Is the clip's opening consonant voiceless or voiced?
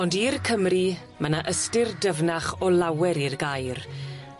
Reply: voiced